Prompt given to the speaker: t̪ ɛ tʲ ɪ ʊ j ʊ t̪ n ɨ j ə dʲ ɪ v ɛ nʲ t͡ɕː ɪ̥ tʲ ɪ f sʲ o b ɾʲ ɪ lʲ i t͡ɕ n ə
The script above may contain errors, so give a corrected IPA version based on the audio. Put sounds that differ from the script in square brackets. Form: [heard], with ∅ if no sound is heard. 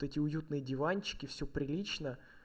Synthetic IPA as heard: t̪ ɛ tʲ ɪ ʊ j [u] t̪ n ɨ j ə dʲ ɪ v [a] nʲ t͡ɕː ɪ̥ [kʲ] ɪ f sʲ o [p] ɾʲ ɪ lʲ i t͡ɕ n ə

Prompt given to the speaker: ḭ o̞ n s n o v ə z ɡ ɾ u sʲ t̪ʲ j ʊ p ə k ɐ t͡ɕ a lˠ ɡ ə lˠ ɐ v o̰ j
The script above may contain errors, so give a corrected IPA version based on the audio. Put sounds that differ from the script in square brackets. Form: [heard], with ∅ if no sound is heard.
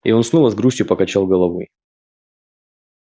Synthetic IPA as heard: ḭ o̞ n s n o v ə z ɡ ɾ u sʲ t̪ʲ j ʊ p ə k ɐ t͡ɕ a lˠ ɡ ə lˠ ɐ v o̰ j

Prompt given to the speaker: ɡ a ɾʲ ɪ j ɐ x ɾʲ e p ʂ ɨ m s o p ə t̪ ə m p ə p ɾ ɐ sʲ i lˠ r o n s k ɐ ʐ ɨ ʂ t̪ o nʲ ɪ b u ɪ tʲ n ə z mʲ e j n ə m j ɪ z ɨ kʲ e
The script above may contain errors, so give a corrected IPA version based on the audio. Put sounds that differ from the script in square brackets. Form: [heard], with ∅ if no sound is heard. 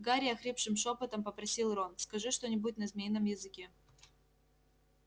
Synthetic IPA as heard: ɡ a ɾʲ ɪ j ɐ x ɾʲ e p ʂ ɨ m [ʂ] o p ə t̪ ə m p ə p ɾ ɐ sʲ i lˠ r o n s k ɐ ʐ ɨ ʂ t̪ o nʲ ɪ b u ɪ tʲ n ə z mʲ e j n ə m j ɪ z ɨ kʲ e

